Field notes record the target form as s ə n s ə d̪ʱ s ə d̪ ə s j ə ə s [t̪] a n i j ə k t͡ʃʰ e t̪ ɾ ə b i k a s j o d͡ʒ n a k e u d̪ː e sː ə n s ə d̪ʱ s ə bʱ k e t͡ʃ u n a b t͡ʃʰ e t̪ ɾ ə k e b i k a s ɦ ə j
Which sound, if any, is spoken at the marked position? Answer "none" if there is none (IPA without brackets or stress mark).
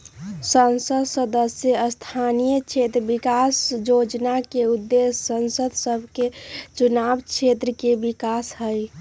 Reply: t̪ʰ